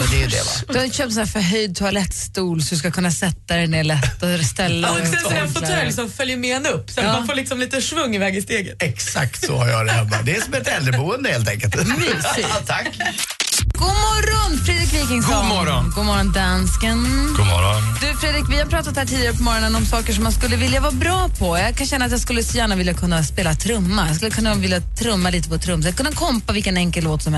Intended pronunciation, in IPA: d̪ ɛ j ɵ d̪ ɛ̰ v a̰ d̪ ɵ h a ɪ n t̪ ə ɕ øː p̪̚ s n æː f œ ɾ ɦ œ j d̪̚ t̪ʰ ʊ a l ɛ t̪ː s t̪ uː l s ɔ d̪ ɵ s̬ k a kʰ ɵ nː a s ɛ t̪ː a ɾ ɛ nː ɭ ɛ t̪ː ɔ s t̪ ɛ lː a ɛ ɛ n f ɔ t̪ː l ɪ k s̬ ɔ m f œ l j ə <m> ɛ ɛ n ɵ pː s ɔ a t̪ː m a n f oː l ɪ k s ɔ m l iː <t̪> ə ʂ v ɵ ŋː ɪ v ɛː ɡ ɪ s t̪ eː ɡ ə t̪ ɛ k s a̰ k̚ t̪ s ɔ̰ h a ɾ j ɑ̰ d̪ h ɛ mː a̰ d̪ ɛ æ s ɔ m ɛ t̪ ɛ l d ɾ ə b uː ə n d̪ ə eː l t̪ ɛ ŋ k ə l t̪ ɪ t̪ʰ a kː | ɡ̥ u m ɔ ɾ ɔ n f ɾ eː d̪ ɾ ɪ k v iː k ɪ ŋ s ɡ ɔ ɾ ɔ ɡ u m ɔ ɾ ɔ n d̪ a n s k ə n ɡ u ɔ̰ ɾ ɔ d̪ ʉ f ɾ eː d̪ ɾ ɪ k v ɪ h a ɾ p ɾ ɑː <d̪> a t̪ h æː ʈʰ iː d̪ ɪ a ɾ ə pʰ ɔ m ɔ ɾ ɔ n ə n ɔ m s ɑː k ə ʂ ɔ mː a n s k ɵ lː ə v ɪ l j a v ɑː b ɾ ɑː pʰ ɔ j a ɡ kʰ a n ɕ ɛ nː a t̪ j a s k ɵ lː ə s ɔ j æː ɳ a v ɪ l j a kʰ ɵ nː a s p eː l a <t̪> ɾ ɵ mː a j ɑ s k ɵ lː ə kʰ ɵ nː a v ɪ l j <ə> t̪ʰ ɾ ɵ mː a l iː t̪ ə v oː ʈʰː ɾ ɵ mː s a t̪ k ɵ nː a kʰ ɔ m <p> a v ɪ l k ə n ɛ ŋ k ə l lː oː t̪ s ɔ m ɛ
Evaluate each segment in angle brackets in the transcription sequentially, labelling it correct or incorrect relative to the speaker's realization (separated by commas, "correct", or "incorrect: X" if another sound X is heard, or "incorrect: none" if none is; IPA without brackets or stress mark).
correct, correct, incorrect: t̪, incorrect: t̪ʰ, incorrect: a, correct